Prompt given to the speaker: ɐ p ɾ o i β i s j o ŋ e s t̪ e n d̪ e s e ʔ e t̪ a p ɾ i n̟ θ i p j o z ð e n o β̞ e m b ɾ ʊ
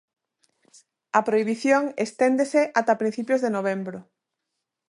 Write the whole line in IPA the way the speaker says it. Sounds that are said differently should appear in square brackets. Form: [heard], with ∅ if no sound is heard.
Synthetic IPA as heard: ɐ p ɾ o i β i [θ] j o ŋ e s t̪ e n d̪ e s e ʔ [a] t̪ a p ɾ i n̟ θ i p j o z ð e n o β̞ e m b ɾ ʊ

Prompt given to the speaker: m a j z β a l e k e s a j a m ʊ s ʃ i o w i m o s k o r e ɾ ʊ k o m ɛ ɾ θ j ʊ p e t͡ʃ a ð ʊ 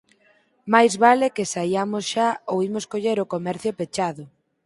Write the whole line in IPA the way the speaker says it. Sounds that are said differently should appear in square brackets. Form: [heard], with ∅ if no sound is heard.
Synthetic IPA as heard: m a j z β a l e k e s a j a m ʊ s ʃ [a] o w i m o s k o [ʎ] e ɾ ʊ k o m ɛ ɾ θ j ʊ p e t͡ʃ a ð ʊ

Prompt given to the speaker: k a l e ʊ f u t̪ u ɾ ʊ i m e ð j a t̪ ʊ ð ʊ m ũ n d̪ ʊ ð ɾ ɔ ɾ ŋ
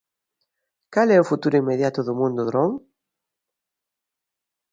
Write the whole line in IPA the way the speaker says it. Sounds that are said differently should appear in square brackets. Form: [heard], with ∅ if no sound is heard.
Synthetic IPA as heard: k a l [ɛ] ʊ f u t̪ u ɾ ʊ i m e ð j a t̪ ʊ ð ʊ m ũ n d̪ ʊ ð ɾ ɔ [∅] ŋ

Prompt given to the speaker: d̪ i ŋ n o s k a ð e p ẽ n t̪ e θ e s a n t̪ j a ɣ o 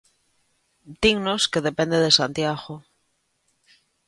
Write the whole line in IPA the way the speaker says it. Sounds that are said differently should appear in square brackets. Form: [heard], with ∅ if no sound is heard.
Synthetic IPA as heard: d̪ i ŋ n o s k [e] ð e p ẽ n [d̪] e [ð] e s a n t̪ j a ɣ o

